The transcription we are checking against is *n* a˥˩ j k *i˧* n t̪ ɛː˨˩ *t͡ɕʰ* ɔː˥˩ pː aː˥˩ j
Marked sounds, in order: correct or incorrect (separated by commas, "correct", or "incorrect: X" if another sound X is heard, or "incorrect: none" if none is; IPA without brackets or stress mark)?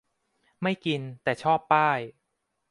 incorrect: m, correct, correct